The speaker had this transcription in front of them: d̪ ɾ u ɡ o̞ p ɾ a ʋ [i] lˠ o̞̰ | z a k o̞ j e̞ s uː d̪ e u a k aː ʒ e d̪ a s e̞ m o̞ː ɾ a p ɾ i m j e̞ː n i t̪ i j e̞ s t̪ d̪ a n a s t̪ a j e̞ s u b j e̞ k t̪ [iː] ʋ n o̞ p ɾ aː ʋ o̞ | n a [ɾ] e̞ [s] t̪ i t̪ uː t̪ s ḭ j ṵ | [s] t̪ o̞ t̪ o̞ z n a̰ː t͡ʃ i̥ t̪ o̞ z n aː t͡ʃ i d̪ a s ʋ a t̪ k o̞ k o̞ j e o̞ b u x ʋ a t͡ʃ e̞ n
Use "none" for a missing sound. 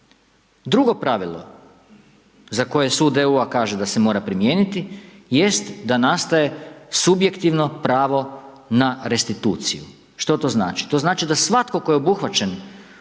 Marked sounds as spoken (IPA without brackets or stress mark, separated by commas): i, i, ɾ, s, ʃ